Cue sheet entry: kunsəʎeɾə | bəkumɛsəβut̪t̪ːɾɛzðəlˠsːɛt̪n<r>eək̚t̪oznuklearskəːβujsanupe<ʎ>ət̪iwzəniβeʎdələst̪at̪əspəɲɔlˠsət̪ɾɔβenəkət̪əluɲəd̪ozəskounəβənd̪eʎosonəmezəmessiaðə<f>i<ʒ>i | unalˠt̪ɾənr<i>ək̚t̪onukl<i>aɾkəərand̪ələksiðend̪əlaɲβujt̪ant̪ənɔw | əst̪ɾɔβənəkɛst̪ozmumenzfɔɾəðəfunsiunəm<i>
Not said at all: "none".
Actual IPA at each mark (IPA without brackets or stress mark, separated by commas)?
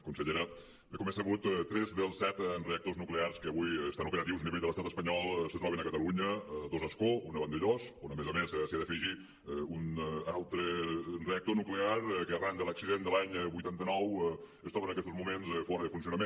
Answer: r, ɾ, f, ʒ, e, e, e